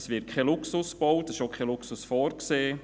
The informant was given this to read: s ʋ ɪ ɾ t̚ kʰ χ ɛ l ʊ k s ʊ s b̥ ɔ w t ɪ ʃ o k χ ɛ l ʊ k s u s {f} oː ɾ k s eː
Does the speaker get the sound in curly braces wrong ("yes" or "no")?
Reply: no